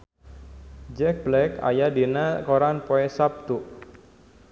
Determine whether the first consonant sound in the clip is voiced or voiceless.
voiced